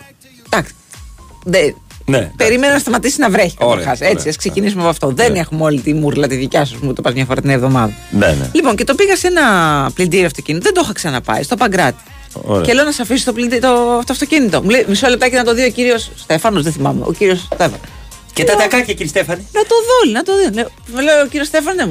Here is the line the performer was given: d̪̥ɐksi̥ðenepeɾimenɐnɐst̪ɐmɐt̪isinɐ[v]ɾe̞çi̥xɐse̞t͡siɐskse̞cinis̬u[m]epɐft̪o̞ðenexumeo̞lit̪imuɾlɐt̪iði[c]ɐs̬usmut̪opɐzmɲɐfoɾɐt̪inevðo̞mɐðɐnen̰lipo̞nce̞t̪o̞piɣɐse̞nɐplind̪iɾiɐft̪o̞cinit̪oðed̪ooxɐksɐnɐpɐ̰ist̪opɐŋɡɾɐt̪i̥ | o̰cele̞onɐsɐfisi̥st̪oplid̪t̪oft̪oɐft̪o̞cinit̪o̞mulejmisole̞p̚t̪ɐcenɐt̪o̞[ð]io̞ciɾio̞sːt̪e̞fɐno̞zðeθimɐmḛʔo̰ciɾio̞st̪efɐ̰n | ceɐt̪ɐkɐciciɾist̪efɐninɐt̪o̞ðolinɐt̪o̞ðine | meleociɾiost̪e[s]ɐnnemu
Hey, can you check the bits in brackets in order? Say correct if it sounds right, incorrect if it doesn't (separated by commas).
correct, correct, correct, correct, incorrect